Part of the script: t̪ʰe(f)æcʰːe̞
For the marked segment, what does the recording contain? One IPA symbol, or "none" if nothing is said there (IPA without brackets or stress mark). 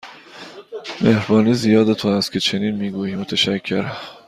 ʃ